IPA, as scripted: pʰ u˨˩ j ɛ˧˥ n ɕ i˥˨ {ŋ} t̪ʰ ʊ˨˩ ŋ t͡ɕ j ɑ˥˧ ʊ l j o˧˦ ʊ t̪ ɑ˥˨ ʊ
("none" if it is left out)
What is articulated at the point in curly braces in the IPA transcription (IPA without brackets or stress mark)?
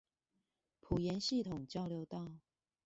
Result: none